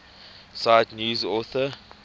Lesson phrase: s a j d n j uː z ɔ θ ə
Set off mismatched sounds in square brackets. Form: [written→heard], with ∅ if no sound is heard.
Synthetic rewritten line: s a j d n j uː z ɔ θ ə